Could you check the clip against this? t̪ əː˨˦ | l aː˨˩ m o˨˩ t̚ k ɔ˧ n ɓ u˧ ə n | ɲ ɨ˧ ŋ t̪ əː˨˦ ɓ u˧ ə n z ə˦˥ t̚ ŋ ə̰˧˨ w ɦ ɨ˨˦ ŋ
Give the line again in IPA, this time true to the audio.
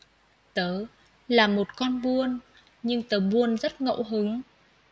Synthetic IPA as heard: t̪ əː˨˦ | l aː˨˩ m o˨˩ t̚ k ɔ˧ n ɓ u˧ ə n | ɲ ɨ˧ ŋ t̪ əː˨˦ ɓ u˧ ə n z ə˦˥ t̚ ŋ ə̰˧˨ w ɦ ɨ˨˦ ŋ